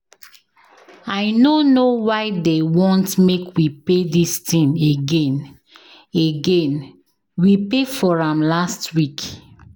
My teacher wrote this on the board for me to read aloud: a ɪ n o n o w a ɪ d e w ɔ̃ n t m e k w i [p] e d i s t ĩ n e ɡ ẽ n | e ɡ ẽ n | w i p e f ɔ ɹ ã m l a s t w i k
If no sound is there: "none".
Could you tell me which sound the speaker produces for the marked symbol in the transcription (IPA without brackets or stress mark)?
p